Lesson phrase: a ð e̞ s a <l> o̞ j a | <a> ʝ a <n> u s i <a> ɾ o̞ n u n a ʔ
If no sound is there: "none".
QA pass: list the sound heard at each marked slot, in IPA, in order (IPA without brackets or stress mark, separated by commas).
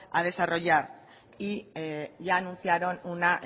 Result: r, i, n, a